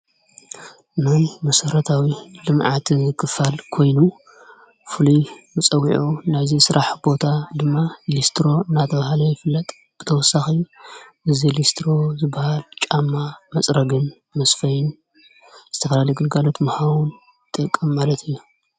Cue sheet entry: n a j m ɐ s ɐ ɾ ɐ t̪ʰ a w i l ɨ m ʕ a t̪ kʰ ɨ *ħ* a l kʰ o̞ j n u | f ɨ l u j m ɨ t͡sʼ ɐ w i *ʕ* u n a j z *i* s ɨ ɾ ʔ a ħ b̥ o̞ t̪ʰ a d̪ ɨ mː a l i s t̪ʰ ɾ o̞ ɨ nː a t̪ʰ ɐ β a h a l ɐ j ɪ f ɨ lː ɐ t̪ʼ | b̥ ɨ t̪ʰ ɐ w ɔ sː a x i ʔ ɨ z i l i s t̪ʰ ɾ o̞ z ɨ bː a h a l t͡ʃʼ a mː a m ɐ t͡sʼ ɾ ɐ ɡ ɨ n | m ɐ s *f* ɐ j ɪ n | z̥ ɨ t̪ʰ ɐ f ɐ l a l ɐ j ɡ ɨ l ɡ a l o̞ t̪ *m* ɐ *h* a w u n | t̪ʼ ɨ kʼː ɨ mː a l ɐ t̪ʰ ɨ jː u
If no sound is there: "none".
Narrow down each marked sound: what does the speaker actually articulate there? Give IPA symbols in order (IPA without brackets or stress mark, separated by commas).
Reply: f, ʕ, i, f, m, h